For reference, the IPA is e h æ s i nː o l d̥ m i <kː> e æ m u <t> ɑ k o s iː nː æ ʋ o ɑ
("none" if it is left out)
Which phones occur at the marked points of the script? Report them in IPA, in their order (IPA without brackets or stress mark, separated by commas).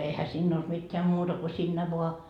tː, t